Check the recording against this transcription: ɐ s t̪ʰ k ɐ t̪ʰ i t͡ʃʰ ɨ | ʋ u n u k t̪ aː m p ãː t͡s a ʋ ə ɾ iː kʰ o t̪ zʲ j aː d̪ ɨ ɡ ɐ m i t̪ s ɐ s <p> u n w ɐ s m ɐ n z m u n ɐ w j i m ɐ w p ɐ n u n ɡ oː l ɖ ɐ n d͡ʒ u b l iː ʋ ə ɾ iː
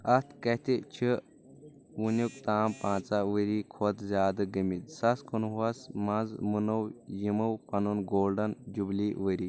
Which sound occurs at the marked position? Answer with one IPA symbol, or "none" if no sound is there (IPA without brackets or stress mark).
k